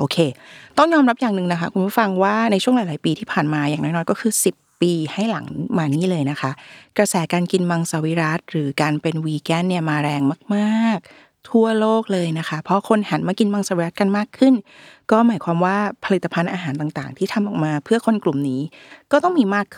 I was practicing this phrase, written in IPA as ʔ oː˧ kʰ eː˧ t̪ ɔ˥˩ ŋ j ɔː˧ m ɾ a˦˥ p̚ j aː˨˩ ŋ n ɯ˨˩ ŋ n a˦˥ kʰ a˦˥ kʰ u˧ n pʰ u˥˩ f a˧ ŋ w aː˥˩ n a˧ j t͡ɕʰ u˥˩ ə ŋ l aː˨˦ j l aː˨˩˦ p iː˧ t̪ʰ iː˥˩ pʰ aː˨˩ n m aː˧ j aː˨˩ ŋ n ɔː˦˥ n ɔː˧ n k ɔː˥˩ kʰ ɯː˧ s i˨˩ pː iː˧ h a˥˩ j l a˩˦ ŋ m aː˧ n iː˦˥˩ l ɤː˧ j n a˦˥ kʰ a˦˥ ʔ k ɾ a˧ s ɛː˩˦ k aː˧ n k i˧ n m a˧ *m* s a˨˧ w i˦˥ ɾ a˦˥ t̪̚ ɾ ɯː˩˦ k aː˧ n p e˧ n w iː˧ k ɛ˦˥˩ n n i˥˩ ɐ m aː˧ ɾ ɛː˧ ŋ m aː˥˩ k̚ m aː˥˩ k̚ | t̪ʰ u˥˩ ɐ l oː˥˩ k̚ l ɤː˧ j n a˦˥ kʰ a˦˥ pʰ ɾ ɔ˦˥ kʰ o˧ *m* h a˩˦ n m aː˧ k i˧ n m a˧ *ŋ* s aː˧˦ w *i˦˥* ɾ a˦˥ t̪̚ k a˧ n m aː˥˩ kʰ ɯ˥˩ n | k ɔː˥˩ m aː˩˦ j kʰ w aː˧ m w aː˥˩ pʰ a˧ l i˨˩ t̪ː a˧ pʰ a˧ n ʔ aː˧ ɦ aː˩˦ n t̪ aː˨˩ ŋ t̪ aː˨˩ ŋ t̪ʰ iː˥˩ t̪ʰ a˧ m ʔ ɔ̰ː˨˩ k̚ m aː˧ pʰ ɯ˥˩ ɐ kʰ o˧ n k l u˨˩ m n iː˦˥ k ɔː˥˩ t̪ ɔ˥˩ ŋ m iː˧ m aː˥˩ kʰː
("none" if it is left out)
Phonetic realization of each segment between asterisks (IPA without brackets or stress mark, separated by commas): ŋ, n, ŋ, i˦˥